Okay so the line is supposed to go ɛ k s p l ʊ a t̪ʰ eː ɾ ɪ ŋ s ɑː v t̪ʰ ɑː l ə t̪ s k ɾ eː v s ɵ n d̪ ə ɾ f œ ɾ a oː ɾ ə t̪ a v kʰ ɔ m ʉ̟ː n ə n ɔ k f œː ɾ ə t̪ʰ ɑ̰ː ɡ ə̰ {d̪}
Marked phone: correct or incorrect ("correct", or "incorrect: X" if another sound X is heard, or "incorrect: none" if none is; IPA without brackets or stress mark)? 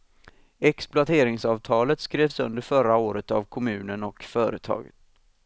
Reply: incorrect: t̪